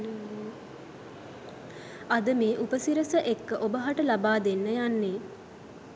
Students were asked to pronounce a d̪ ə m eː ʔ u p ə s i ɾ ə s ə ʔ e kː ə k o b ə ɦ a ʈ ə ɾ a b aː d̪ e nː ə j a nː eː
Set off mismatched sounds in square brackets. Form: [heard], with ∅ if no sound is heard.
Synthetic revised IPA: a d̪ ə m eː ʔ u p ə s i ɾ ə s ə ʔ e kː ə [ʔ] o b ə ɦ a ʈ ə [l] a b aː d̪ e nː ə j a nː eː